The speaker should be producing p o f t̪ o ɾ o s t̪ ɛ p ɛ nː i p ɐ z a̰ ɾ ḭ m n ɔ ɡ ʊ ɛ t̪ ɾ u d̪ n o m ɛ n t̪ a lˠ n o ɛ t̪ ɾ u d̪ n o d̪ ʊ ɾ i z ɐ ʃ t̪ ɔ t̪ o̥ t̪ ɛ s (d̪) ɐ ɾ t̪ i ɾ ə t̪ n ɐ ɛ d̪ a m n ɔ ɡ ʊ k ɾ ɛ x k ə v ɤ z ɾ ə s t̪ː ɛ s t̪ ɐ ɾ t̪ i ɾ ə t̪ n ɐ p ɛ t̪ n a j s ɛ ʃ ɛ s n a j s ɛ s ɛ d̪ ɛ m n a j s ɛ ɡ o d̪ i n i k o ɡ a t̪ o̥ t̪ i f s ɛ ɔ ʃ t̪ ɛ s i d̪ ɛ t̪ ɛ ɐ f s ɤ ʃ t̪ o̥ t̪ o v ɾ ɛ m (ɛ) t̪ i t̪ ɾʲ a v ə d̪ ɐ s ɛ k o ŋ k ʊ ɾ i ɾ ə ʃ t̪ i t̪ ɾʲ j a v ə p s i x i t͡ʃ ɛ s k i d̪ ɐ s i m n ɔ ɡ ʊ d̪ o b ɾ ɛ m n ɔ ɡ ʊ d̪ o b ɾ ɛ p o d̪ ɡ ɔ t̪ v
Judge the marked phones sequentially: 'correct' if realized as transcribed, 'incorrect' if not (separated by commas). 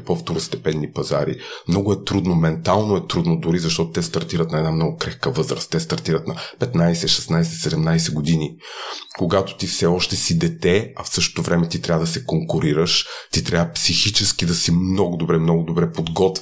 incorrect, correct